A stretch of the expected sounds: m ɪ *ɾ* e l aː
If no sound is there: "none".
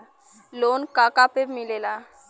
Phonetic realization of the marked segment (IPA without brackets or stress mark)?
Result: l